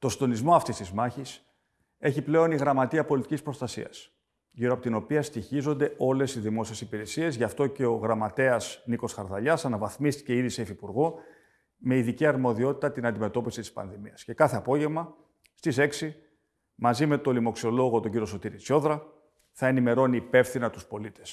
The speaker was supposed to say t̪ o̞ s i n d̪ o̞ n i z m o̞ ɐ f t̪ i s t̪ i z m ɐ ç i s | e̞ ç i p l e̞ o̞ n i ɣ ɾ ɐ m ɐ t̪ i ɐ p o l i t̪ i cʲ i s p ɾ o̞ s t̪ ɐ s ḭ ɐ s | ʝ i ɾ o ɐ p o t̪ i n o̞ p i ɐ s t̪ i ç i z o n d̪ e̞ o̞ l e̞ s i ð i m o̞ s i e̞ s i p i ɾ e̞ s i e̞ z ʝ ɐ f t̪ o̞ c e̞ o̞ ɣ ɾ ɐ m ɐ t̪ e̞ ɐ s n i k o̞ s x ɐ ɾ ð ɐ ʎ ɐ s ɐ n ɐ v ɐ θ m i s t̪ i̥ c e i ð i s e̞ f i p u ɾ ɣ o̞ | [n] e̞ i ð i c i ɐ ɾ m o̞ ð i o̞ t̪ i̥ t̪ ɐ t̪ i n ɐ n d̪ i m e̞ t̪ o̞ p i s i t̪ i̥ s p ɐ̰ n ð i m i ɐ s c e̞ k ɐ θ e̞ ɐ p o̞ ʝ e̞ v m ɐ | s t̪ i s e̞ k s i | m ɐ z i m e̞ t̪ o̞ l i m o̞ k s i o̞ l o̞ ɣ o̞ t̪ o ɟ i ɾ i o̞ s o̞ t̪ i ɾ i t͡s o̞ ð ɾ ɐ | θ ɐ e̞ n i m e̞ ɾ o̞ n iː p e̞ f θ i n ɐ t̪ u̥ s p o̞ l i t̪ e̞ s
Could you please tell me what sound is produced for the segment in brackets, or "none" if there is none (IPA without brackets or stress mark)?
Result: m